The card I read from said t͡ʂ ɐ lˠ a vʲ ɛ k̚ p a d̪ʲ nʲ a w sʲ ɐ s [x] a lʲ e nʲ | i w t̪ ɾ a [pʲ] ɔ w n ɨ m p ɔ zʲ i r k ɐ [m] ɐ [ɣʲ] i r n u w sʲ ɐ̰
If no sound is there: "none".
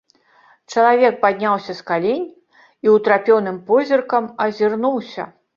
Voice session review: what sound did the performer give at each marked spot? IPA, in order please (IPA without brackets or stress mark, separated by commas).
k, pʲ, m, zʲ